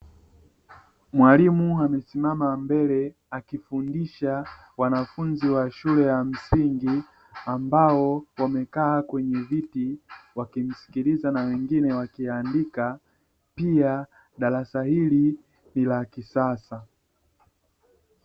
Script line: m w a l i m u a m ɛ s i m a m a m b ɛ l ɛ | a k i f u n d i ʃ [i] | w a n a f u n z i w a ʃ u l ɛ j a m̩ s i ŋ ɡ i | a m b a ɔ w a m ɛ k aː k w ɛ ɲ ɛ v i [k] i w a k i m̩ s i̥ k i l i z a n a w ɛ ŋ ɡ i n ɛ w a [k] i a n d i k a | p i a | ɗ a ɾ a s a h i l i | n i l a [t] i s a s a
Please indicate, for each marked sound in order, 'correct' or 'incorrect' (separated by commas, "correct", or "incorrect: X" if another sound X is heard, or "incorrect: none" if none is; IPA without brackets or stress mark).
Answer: incorrect: a, incorrect: t, correct, incorrect: k